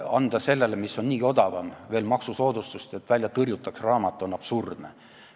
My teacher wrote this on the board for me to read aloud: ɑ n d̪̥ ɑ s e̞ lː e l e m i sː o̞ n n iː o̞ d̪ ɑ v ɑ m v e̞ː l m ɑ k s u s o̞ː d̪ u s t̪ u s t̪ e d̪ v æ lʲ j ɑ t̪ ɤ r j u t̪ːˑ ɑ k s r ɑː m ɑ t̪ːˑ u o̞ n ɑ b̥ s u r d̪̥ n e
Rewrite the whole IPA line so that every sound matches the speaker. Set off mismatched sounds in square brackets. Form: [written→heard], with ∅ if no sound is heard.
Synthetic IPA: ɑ n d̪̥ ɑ s e̞ lː e l e m i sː o̞ n n iː o̞ d̪ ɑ v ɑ m v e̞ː l m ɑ k s u s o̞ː d̪ u s t̪ u s t̪ e [d̪→t̪] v æ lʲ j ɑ t̪ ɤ r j u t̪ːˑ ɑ k s r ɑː m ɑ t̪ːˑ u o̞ n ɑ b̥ s u r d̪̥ n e